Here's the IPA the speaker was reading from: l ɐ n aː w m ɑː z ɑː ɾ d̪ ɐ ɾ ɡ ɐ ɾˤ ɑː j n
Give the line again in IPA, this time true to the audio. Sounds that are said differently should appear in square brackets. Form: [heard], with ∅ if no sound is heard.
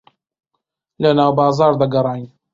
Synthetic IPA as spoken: l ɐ n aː w [b] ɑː z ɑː ɾ d̪ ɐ [∅] ɡ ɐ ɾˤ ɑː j n